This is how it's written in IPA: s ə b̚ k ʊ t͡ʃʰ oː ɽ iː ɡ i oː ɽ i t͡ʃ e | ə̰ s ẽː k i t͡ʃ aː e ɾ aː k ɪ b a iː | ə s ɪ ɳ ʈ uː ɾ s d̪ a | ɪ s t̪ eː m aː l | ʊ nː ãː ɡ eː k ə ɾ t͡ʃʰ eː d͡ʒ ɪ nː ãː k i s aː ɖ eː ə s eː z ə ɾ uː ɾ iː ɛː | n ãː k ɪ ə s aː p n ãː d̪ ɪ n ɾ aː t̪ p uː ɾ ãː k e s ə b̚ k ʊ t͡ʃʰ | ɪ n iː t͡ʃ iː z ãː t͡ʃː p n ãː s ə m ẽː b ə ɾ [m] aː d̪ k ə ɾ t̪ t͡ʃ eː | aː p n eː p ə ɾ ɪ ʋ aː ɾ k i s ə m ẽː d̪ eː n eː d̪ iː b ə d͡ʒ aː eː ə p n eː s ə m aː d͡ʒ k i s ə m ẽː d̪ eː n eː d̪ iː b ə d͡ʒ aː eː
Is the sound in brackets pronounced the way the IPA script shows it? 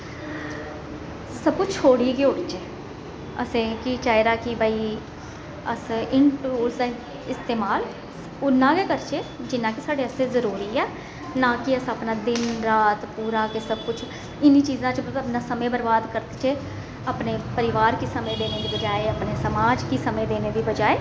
no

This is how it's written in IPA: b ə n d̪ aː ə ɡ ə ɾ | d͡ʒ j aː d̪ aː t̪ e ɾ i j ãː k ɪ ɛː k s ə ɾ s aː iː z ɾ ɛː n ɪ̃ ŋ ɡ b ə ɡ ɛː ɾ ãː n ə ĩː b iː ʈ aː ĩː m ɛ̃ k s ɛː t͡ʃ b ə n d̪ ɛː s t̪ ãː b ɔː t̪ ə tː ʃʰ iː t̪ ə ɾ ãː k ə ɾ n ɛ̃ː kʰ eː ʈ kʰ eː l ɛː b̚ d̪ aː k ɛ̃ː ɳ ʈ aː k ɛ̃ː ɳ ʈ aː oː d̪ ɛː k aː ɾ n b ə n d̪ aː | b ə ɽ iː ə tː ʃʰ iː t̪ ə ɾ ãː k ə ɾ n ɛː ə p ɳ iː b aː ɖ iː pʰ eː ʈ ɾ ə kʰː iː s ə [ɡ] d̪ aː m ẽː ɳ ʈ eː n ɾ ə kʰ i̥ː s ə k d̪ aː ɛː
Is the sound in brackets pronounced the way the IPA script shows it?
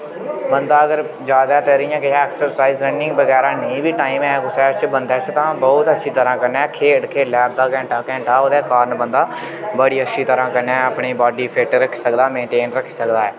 no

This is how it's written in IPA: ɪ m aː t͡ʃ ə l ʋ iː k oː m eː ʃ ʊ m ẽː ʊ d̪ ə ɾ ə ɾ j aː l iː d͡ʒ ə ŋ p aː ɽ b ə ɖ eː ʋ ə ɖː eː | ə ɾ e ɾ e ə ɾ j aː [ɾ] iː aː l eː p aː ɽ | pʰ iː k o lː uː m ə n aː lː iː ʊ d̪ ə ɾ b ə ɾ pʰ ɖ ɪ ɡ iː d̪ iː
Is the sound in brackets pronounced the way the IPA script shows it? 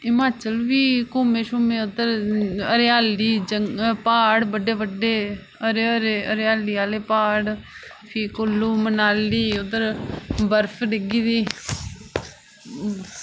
no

